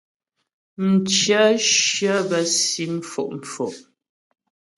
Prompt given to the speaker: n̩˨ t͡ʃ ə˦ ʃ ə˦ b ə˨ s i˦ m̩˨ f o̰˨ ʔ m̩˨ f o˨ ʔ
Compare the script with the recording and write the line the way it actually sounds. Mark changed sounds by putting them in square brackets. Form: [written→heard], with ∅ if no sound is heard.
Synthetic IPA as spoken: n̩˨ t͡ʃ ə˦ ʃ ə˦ b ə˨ s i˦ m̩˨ f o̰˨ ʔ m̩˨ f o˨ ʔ